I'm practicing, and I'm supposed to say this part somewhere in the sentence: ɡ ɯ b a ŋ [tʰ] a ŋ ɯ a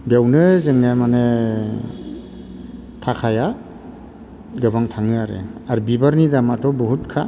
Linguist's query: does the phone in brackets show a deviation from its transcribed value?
no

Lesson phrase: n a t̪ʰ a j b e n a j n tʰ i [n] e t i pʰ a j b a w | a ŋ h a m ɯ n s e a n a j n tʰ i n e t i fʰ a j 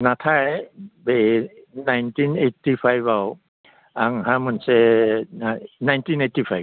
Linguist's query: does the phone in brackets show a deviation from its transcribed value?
no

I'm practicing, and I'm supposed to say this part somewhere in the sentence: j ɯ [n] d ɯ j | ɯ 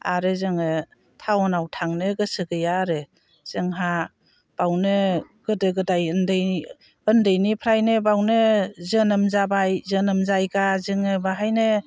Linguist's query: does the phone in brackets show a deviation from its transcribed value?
no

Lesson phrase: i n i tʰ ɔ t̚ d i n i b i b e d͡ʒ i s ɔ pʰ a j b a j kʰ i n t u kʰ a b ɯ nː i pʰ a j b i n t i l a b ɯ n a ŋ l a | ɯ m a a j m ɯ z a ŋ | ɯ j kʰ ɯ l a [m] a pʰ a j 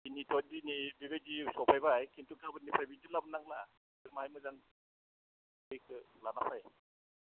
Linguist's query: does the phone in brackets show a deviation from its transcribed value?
yes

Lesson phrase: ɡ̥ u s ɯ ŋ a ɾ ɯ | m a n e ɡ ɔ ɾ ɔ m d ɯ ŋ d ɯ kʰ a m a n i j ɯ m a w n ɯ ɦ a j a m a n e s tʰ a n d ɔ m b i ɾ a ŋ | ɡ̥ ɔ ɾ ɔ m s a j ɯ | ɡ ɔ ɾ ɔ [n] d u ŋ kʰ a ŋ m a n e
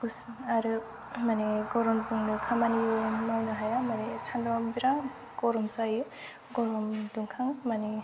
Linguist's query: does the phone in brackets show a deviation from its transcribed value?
yes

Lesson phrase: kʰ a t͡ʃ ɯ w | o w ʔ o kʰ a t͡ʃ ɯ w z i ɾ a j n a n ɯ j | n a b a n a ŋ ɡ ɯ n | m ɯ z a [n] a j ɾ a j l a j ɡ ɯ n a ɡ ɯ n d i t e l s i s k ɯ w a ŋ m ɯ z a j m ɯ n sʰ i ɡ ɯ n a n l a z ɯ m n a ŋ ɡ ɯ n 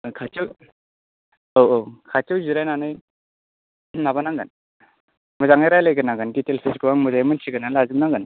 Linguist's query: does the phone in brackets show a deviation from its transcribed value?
yes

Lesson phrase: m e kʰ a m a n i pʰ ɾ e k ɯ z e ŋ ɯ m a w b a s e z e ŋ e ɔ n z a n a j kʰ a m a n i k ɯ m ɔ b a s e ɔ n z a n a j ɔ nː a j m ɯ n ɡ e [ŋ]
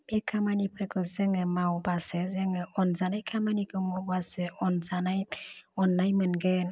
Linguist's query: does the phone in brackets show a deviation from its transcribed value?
yes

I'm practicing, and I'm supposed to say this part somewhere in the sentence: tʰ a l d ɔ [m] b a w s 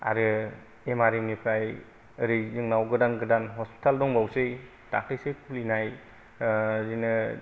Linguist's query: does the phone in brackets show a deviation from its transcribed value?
yes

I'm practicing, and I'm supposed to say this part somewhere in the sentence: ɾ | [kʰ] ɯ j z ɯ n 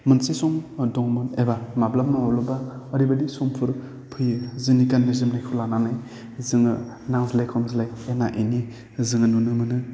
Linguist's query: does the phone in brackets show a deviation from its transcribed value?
yes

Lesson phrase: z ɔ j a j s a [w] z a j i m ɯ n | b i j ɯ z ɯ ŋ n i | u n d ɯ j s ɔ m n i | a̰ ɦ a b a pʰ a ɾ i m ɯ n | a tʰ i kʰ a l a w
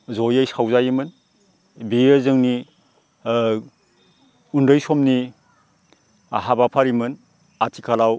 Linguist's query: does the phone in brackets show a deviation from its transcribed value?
no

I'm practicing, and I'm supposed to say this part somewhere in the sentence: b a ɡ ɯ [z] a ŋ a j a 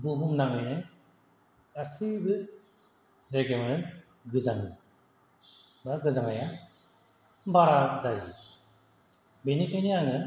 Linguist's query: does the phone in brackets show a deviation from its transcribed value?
no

